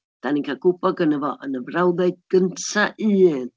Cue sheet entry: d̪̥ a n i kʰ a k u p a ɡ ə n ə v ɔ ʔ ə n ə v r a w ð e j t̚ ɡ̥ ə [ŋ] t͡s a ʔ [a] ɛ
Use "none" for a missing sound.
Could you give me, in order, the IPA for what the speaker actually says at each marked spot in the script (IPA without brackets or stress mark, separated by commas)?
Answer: n, i